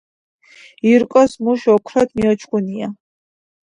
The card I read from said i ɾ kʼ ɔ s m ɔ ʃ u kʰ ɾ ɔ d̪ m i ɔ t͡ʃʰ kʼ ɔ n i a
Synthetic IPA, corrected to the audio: i ɾ kʼ ɔ s m u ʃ ɔ kʰ ɾ ɔ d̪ m i ɔ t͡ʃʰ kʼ u n i a

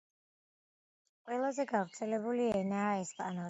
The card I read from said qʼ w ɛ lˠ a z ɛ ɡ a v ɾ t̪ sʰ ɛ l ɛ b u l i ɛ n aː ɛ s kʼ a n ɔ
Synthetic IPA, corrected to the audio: qʼ w ɛ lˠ a z ɛ ɡ a v ɾ t̪ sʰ ɛ l ɛ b u l i ɛ n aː ɛ s pʼ a n ɔ

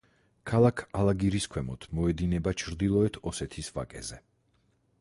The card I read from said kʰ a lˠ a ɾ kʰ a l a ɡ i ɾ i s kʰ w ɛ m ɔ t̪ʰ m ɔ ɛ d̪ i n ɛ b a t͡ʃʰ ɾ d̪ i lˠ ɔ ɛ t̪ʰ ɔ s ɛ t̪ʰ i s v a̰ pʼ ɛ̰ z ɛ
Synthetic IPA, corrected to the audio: kʰ a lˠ a kʰ a l a ɡ i ɾ i s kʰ w ɛ m ɔ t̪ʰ m ɔ ɛ d̪ i n ɛ b a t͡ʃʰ ɾ d̪ i lˠ ɔ ɛ t̪ʰ ɔ s ɛ t̪ʰ i s v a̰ kʼ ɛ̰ z ɛ

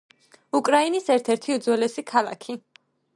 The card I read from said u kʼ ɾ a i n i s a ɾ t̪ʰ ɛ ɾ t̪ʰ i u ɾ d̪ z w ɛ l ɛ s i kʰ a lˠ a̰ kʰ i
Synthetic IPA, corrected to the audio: u kʼ ɾ a i n i s ɛ ɾ t̪ʰ ɛ ɾ t̪ʰ i u d̪ z w ɛ l ɛ s i kʰ a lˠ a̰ kʰ i

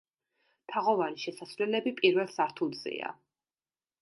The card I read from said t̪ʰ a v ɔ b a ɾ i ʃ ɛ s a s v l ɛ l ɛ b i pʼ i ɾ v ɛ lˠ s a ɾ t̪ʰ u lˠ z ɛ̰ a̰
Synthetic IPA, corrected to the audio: t̪ʰ a ʁ ɔ v a ɾ i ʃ ɛ s a s v l ɛ l ɛ b i pʼ i ɾ v ɛ lˠ s a ɾ t̪ʰ u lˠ z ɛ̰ a̰

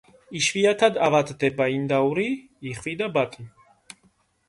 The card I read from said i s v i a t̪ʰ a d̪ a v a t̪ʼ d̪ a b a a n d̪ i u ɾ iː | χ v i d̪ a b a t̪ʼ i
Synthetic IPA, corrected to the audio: i ʃ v i a t̪ʰ a d̪ a v a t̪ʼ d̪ ɛ b a i n d̪ a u ɾ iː | χ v i d̪ a b a t̪ʼ i

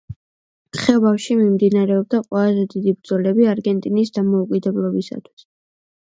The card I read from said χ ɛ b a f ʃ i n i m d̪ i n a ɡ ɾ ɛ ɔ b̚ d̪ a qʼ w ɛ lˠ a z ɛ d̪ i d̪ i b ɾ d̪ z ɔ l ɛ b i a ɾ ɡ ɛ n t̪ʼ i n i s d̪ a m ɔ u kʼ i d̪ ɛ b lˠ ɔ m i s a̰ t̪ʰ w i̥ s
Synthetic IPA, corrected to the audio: χ ɛ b a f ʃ i m i m d̪ i n a ɾ ɛ ɔ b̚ d̪ a qʼ w ɛ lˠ a z ɛ d̪ i d̪ i b ɾ d̪ z ɔ l ɛ b i a ɾ ɡ ɛ n t̪ʼ i n i s d̪ a m ɔ u kʼ i d̪ ɛ b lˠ ɔ b i s a̰ t̪ʰ w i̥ s

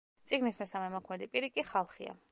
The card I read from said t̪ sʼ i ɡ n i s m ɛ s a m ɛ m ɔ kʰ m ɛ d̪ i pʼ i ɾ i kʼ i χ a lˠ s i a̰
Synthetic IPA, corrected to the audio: t̪ sʼ i ɡ n i s m ɛ s a m ɛ m ɔ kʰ m ɛ d̪ i pʼ i ɾ i kʼ i χ a lˠ χ i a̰

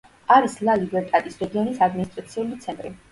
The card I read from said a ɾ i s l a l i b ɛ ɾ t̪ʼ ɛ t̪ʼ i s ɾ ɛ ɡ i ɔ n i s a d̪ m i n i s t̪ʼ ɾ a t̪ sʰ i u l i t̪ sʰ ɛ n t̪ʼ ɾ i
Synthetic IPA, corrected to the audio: a ɾ i s l a l i b ɛ ɾ t̪ʼ ɛ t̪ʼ i s ɾ ɛ ɡ i ɔ n i s a d̪ m i n i s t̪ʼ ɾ a t̪ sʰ i u l i t̪ sʰ ɛ n t̪ʼ ɾ i

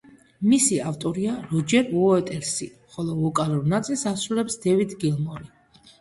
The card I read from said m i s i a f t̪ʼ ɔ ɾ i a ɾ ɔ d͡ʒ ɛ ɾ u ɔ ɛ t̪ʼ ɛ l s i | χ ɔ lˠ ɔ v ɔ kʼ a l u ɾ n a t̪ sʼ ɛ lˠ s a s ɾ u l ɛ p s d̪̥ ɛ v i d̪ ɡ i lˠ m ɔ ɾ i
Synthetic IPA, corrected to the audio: m i s i a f t̪ʼ ɔ ɾ i a ɾ ɔ d͡ʒ ɛ ɾ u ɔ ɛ t̪ʼ ɛ ɾ s i | χ ɔ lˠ ɔ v ɔ kʼ a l u ɾ n a t̪ sʼ i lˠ s a s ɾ u l ɛ p s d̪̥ ɛ v i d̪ ɡ i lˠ m ɔ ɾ i

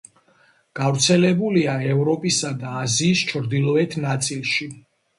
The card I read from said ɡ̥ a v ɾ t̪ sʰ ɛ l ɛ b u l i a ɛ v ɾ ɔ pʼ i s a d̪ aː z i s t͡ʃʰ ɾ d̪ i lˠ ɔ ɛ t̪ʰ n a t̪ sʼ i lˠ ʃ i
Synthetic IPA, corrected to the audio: ɡ̥ a v ɾ t̪ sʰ ɛ l ɛ b u l i a ɛ v ɾ ɔ pʼ i s a d̪ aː z iː s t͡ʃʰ ɾ d̪ i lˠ ɔ ɛ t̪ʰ n a t̪ sʼ i lˠ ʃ i

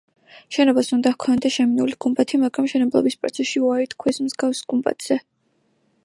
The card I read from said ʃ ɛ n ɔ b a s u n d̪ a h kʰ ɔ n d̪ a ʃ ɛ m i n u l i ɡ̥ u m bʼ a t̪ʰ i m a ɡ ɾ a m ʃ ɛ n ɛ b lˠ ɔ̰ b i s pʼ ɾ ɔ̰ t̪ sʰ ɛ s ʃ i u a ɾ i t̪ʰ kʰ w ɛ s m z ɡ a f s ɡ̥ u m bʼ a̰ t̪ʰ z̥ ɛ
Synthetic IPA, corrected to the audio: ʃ ɛ n ɔ b a s u n d̪ a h kʰ ɔ n d̪ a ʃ ɛ m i n u l i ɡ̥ u m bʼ a t̪ʰ i m a ɡ ɾ a m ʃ ɛ n ɛ b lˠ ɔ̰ b i s pʼ ɾ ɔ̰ t̪ sʰ ɛ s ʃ i u a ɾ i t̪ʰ kʰ w ɛ s m z ɡ a f s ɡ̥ u m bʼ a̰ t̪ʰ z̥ ɛ

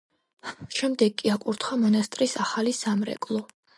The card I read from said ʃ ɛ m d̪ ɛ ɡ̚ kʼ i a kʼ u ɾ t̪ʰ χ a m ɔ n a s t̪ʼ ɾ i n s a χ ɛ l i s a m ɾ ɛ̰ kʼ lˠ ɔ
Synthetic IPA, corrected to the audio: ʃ ɛ m d̪ ɛ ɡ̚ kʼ i a kʼ u ɾ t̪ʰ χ a m ɔ n a s t̪ʼ ɾ i s a χ a l i s a m ɾ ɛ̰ kʼ lˠ ɔ

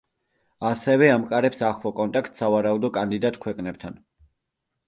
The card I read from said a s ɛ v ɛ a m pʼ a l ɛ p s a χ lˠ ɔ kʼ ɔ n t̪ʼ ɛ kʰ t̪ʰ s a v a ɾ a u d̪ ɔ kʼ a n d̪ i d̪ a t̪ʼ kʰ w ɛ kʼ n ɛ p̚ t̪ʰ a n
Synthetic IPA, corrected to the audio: a s ɛ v ɛ a m kʼ a ɾ ɛ p s a χ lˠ ɔ kʼ ɔ n t̪ʼ a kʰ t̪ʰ s a v a ɾ a u d̪ ɔ kʼ a n d̪ i d̪ a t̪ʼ kʰ w ɛ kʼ n ɛ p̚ t̪ʰ a n

